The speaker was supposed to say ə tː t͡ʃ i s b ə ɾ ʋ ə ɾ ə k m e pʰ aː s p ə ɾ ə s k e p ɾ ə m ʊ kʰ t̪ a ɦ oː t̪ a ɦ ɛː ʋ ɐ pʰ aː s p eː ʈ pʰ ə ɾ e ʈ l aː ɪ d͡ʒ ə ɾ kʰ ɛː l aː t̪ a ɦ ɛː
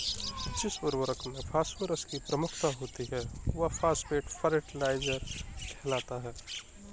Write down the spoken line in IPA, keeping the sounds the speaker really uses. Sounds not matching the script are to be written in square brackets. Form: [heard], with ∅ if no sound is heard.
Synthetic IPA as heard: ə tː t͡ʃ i s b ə ɾ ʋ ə ɾ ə k m e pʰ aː s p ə ɾ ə s k [i] p ɾ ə m ʊ kʰ t̪ a ɦ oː t̪ [i] ɦ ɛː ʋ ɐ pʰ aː s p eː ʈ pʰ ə ɾ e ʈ l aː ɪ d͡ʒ ə ɾ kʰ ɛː l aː t̪ a ɦ ɛː